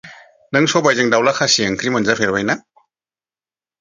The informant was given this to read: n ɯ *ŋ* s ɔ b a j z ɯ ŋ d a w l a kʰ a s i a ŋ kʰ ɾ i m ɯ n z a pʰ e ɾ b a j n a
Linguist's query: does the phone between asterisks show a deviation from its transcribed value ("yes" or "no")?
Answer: no